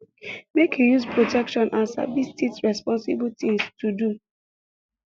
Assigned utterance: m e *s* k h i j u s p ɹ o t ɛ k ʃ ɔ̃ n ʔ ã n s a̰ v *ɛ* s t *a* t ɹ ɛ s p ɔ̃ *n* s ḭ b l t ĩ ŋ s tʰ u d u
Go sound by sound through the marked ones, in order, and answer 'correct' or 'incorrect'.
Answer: incorrect: none, incorrect: i, incorrect: i, correct

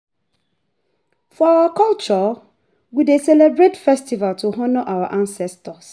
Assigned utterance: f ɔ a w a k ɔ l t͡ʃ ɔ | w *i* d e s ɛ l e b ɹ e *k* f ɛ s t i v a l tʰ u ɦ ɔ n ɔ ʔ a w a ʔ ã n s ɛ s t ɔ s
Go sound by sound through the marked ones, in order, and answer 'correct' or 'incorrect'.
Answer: correct, incorrect: t

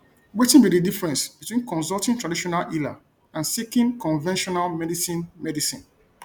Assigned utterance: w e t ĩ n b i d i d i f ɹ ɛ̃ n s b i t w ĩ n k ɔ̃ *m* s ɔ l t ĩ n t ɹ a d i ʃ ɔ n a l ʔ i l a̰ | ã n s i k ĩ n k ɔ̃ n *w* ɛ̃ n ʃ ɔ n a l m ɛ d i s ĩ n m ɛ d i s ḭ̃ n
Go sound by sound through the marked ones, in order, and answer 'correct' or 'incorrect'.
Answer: incorrect: n, incorrect: v

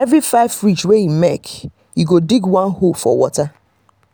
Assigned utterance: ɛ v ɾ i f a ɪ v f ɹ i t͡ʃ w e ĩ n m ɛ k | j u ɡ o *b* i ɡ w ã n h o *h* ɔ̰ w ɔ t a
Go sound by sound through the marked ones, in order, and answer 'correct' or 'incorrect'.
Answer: incorrect: d, incorrect: f

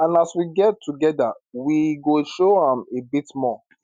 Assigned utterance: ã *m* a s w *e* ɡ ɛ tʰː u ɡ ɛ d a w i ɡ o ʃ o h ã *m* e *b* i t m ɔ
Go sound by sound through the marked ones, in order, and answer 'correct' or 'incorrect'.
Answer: incorrect: n, incorrect: i, correct, correct

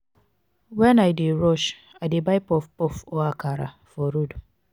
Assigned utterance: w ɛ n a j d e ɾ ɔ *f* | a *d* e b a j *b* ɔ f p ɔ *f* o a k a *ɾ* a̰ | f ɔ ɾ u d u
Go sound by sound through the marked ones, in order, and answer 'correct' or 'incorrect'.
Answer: incorrect: ʃ, correct, incorrect: p, correct, correct

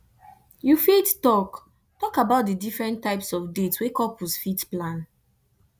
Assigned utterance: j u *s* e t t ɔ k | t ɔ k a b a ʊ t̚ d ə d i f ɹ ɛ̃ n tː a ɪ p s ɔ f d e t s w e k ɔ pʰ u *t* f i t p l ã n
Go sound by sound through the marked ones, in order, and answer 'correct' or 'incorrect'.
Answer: incorrect: f, incorrect: s

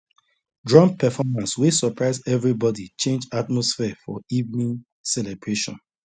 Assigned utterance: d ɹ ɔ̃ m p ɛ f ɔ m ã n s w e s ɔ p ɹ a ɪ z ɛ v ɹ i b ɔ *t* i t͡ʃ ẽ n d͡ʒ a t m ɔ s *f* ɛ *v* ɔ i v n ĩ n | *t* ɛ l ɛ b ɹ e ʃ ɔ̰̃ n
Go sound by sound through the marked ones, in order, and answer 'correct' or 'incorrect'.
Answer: incorrect: d, correct, incorrect: f, incorrect: s

